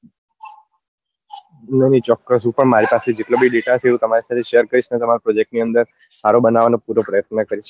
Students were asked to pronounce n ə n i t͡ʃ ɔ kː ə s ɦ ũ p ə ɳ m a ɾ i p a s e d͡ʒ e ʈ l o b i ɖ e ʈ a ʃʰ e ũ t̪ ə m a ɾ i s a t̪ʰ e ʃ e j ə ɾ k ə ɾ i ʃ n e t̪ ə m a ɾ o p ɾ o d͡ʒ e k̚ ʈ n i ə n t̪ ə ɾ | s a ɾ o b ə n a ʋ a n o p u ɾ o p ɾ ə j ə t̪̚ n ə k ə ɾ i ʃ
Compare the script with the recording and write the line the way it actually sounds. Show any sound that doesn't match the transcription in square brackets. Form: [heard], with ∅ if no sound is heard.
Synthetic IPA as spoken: n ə n i t͡ʃ ɔ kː ə s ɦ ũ p ə ɳ m a ɾ i p a s e d͡ʒ e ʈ l o b i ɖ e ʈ a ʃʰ e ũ t̪ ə m a ɾ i s a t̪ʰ e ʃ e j ə ɾ k ə ɾ i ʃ n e t̪ ə m a ɾ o p ɾ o d͡ʒ e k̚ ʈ n i ə n [d̪] ə ɾ | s a ɾ o b ə n a ʋ a n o p u ɾ o p ɾ ə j ə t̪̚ n ə k ə ɾ i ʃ